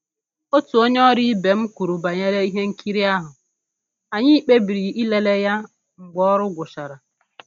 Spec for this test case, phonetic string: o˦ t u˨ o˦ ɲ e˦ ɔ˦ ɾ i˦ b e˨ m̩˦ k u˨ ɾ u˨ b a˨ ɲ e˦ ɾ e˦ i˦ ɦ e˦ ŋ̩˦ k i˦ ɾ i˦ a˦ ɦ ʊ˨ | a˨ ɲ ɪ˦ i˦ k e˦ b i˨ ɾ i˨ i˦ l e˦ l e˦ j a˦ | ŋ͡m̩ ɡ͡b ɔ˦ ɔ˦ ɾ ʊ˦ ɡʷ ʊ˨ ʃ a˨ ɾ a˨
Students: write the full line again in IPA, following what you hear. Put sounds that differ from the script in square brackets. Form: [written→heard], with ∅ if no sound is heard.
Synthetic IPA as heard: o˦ t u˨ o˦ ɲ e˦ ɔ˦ ɾ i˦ b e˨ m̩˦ k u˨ ɾ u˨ b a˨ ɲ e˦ ɾ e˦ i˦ ɦ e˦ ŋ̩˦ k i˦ ɾ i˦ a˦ ɦ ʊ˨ | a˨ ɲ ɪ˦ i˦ [k→k͡p] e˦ b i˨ ɾ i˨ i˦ l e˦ l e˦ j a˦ | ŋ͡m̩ ɡ͡b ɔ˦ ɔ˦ ɾ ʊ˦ ɡʷ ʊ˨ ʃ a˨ ɾ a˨